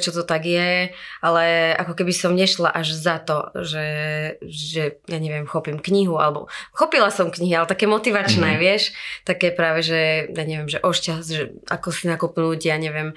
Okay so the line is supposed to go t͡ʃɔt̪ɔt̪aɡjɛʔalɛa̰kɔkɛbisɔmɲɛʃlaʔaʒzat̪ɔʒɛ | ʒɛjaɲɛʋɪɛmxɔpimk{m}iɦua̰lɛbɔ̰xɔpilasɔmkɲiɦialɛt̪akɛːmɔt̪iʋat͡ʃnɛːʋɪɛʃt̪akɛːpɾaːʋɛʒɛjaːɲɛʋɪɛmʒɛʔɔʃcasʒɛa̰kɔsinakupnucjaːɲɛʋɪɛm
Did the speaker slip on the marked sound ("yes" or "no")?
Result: yes